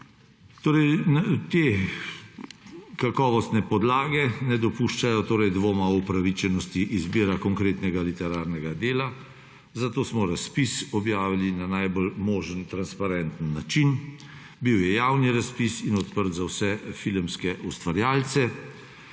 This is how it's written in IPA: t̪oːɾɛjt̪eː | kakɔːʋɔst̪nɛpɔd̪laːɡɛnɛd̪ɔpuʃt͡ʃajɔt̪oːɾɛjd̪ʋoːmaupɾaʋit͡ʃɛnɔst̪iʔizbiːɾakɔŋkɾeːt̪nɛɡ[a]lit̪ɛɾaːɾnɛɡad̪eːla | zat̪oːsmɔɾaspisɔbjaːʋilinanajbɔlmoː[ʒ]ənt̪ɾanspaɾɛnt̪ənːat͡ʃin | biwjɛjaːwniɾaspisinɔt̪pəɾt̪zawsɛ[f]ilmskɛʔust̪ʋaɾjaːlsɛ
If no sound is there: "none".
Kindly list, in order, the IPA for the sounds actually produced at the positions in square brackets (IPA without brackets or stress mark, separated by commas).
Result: a, ʒ, f